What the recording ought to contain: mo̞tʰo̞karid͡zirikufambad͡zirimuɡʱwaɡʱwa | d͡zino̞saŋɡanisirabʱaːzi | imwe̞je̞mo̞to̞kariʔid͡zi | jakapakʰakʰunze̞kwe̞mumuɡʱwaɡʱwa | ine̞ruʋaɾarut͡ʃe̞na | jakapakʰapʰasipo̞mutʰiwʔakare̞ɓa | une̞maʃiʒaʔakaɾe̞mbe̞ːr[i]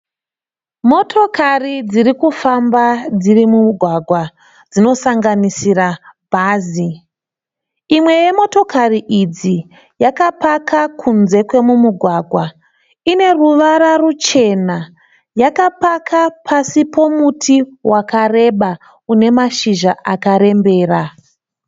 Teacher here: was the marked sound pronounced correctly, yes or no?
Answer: no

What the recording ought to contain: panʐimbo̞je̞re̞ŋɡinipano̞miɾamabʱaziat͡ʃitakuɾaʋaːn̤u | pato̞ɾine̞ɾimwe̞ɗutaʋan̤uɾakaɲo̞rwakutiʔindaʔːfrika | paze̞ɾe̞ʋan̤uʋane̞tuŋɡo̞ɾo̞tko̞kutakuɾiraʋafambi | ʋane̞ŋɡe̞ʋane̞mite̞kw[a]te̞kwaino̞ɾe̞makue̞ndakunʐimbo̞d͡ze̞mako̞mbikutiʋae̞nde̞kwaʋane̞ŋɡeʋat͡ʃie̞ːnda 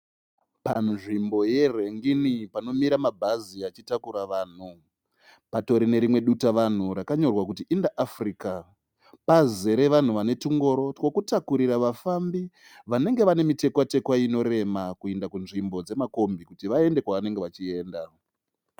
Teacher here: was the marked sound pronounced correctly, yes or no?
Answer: yes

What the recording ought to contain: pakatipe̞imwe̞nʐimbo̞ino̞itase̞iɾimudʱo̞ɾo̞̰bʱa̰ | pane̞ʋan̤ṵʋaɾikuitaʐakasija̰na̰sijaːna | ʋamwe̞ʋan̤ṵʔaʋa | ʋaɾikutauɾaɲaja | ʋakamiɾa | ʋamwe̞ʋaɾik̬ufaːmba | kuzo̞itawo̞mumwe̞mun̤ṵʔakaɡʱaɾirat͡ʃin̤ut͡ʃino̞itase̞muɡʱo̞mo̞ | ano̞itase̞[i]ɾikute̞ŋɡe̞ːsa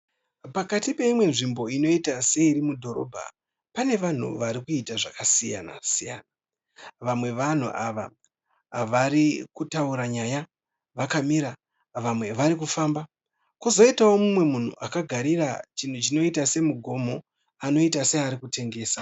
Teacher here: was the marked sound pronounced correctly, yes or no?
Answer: no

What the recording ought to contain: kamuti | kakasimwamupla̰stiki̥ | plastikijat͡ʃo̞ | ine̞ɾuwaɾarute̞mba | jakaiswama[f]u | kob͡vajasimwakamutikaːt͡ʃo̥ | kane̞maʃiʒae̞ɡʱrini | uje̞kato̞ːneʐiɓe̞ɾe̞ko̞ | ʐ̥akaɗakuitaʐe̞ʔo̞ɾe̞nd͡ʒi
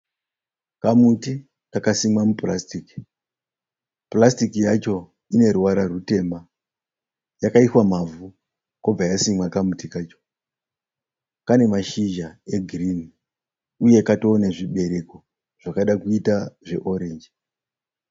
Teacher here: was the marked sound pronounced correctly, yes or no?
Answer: no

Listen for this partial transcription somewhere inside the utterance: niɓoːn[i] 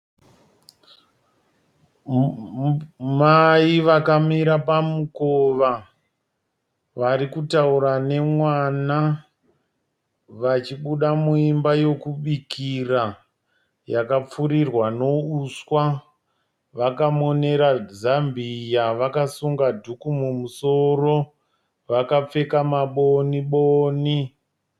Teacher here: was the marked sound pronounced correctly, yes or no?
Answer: yes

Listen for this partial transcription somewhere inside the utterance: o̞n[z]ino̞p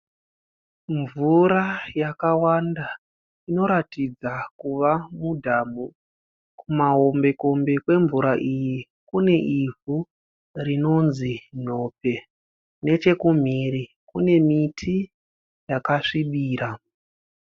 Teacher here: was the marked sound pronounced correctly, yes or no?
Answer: yes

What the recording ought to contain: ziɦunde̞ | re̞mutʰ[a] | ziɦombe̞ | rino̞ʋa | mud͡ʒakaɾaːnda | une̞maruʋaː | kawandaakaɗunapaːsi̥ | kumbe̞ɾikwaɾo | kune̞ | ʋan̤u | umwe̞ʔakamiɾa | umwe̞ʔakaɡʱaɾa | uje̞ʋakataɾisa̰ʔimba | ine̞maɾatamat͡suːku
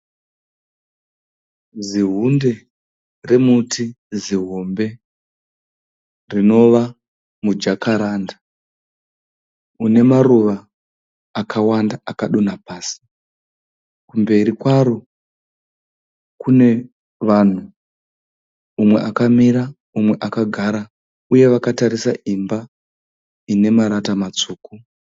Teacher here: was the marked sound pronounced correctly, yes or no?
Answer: no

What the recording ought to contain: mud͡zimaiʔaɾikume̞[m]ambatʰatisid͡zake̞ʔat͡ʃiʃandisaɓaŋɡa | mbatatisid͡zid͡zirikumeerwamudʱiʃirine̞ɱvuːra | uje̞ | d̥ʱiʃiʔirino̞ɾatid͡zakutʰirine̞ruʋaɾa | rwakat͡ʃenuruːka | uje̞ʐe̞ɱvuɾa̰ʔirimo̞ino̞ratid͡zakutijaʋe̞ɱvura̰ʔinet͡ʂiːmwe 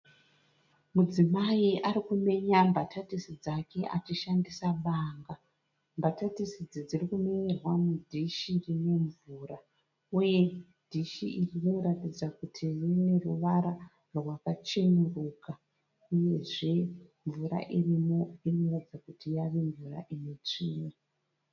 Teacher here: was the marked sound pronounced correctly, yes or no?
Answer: no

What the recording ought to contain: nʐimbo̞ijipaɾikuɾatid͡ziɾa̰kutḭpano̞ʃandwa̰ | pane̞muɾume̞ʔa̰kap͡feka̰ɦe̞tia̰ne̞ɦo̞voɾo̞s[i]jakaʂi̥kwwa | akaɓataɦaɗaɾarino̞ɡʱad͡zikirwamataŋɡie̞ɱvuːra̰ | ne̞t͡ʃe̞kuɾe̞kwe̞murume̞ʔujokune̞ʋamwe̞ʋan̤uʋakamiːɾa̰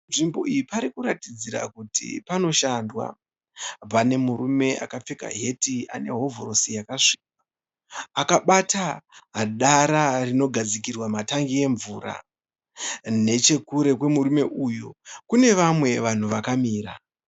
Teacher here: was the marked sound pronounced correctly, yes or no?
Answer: yes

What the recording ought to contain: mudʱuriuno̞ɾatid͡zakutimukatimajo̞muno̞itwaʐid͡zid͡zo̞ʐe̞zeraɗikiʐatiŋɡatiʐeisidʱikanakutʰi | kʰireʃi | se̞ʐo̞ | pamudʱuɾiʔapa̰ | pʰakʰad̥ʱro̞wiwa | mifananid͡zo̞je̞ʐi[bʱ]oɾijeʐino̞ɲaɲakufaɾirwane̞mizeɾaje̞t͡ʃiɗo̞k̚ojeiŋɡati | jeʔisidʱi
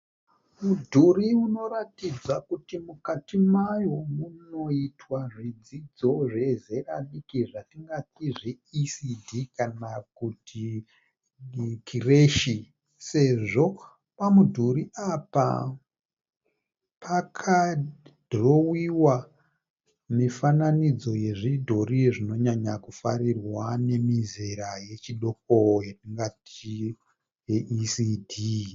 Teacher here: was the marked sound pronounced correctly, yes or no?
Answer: no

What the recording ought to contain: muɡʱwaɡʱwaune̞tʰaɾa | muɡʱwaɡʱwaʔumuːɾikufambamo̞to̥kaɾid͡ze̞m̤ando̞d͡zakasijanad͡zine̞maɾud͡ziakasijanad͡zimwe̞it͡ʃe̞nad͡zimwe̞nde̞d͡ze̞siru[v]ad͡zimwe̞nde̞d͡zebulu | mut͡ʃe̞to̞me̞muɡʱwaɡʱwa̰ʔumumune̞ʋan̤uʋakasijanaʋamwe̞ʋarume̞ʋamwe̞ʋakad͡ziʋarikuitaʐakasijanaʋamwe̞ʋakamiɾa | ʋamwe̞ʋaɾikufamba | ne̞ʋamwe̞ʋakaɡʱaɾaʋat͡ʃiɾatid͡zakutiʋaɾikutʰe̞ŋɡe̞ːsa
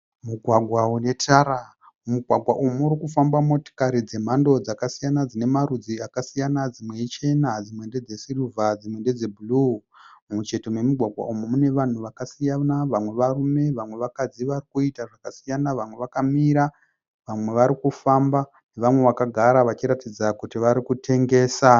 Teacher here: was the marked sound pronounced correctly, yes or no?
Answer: yes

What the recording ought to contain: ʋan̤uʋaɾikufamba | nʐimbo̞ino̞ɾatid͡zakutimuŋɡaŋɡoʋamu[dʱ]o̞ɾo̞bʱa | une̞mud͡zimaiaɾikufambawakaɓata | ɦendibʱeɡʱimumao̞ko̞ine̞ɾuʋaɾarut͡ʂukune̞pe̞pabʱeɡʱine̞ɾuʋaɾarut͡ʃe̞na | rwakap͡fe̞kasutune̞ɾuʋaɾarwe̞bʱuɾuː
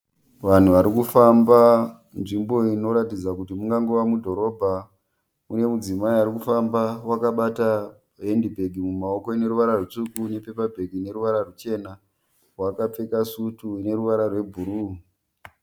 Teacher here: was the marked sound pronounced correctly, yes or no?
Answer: yes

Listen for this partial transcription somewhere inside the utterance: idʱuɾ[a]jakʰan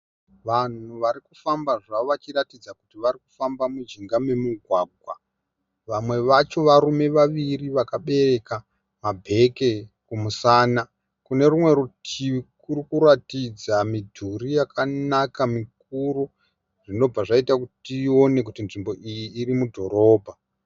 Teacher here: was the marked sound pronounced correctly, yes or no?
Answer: no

